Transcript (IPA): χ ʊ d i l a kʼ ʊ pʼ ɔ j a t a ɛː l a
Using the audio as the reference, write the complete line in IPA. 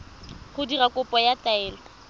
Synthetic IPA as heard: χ ʊ d i r a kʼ ʊ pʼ ɔ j a t a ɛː l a